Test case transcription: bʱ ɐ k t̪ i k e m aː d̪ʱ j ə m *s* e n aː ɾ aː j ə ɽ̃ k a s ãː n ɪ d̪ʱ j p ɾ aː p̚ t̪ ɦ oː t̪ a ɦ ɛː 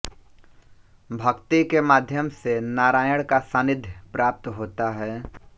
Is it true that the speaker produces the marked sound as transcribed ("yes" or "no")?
yes